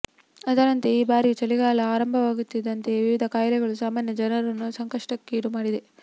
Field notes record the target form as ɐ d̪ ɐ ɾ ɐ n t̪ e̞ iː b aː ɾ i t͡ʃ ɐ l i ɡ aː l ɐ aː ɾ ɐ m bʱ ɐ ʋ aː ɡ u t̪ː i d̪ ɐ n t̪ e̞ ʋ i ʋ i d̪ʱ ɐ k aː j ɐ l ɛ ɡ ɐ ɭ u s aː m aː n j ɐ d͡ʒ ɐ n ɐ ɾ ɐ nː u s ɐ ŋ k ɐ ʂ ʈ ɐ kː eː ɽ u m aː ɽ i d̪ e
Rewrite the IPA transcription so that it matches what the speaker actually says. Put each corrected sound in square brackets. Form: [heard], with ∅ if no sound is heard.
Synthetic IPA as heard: ɐ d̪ ɐ ɾ ɐ n t̪ e̞ iː b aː ɾ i t͡ʃ ɐ l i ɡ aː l ɐ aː ɾ ɐ m bʱ ɐ ʋ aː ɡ u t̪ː i d̪ ɐ n t̪ e̞ ʋ i ʋ i d̪ʱ ɐ k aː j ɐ l ɛ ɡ ɐ ɭ u s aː m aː n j ɐ d͡ʒ ɐ n ɐ ɾ ɐ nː u s ɐ ŋ k ɐ ʂ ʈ ɐ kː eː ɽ u m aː ɽ i d̪ e